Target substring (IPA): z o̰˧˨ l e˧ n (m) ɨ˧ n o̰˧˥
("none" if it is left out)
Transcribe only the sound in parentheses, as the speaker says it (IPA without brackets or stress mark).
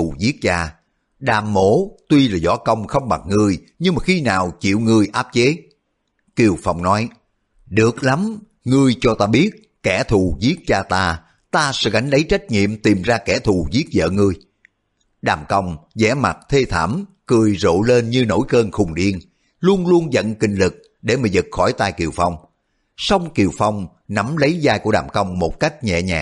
ɲ